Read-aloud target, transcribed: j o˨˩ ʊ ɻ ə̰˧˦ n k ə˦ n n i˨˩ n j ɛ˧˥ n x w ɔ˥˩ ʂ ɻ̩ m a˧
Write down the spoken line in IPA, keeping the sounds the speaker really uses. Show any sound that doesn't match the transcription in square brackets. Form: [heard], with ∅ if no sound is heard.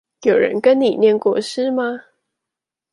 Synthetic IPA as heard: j o˨˩ ʊ ɻ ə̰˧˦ n k ə˦ n n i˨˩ n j [ɛ˥˧] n [k] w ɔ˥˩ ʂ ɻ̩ m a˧